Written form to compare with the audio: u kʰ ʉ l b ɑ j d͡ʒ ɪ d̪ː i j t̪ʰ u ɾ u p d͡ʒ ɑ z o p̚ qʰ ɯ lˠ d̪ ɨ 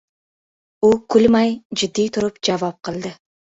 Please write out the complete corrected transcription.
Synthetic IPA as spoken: u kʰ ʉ l m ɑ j d͡ʒ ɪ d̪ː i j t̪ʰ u ɾ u p d͡ʒ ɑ v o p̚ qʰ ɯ lˠ d̪ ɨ